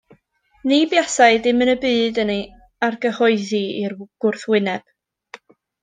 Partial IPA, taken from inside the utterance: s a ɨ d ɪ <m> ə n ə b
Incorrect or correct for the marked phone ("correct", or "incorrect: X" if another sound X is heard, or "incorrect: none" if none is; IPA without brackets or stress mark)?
correct